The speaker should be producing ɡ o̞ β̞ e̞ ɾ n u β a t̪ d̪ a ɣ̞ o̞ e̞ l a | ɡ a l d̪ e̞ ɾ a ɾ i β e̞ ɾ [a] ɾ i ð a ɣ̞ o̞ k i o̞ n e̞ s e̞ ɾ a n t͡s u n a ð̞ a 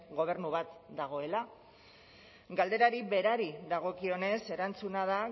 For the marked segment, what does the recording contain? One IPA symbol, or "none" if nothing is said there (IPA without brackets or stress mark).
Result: a